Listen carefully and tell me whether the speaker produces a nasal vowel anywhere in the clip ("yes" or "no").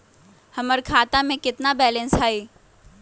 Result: yes